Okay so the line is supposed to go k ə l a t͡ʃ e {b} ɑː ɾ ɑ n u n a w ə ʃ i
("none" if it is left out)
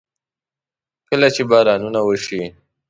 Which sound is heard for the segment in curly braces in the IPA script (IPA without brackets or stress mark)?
b